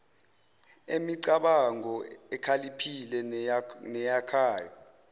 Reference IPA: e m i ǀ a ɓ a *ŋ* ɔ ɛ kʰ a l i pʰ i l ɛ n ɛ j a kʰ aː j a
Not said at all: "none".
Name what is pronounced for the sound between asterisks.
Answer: ŋ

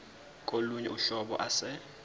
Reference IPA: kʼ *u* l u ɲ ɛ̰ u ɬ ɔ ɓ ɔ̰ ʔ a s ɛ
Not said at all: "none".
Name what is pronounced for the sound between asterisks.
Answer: o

